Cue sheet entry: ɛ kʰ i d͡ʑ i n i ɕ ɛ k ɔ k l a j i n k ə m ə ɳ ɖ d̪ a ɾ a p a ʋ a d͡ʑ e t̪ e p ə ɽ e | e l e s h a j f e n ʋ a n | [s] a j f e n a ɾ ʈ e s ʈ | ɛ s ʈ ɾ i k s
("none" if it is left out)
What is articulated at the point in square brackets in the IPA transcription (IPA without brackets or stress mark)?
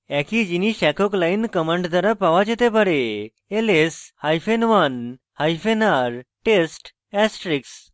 h